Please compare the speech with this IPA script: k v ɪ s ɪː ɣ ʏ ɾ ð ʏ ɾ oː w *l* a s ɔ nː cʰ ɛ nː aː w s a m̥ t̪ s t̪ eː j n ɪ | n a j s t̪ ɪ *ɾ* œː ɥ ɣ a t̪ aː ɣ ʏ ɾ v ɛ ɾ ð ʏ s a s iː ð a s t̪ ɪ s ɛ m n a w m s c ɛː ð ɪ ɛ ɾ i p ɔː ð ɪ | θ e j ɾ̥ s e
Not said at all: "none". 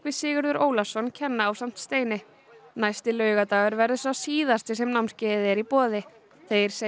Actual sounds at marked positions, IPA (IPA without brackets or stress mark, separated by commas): l, l